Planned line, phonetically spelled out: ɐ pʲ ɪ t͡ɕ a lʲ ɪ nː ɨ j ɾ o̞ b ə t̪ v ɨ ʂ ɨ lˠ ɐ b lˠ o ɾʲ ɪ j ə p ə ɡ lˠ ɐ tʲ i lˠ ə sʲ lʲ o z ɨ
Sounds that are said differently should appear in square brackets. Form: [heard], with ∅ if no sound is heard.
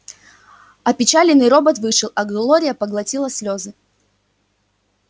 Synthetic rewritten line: ɐ pʲ ɪ t͡ɕ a lʲ ɪ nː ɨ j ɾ o̞ b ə t̪ v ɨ ʂ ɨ lˠ ɐ [ɡ] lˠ o ɾʲ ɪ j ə p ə ɡ lˠ ɐ tʲ i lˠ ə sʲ lʲ o z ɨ